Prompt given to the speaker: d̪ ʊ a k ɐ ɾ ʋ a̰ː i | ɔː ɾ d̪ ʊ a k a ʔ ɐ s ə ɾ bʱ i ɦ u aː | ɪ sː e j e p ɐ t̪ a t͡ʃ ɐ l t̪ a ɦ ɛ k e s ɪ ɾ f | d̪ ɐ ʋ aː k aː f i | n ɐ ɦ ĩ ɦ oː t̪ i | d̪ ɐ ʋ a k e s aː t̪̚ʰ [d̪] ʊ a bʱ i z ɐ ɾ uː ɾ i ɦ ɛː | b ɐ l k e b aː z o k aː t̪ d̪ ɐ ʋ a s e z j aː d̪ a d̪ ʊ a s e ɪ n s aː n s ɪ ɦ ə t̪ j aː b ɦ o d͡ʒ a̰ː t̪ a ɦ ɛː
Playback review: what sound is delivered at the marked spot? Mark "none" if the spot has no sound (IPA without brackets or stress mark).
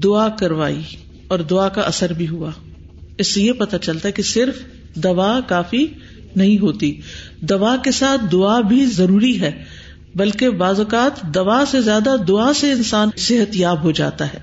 d̪